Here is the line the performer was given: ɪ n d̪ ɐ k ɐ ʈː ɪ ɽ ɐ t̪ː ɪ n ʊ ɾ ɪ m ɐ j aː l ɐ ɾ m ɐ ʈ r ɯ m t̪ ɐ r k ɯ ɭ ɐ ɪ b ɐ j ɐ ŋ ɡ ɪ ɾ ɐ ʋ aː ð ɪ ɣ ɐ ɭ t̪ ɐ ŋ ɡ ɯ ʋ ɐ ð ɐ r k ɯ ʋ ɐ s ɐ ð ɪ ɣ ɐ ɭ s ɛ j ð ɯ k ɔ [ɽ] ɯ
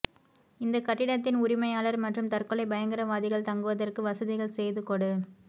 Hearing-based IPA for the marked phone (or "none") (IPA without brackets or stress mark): ɽ